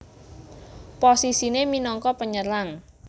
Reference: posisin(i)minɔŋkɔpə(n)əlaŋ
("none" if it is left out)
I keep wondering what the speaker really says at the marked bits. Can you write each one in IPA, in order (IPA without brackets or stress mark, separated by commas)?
e, ɲ